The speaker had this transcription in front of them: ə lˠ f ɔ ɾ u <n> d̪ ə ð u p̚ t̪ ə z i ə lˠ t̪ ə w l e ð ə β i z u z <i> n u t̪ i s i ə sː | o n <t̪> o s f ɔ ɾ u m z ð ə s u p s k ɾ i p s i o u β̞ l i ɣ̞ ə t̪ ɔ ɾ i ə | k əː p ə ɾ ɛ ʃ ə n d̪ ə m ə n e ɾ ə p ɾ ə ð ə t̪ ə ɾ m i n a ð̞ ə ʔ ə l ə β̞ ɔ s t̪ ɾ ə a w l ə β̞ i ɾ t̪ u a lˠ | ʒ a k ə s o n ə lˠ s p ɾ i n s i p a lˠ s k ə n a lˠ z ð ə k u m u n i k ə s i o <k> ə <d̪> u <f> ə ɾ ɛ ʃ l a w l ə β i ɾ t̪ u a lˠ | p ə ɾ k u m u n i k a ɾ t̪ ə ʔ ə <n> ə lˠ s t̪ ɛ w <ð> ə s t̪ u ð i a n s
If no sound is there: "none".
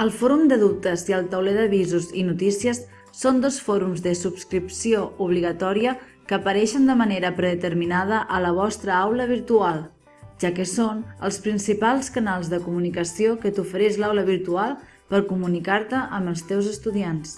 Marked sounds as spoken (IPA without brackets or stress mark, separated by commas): m, i, d̪, k, t̪, f, m, z